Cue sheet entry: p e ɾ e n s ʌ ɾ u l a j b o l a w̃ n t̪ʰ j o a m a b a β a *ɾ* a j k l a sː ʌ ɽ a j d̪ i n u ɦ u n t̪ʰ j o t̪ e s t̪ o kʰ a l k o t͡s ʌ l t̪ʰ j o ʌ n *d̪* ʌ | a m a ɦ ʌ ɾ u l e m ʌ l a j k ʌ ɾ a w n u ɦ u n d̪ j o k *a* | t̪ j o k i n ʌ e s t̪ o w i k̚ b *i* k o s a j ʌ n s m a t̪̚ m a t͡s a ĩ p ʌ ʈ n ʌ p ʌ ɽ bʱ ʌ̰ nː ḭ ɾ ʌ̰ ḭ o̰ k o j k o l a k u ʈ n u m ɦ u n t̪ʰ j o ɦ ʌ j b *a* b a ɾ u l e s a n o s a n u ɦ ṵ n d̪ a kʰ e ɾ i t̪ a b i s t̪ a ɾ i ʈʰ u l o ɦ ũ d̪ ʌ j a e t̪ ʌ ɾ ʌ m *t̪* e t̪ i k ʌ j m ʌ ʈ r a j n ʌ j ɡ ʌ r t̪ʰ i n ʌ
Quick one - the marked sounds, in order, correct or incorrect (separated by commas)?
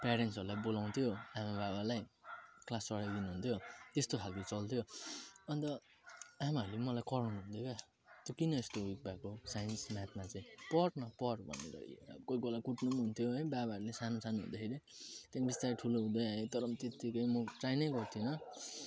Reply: incorrect, incorrect, correct, incorrect, correct, correct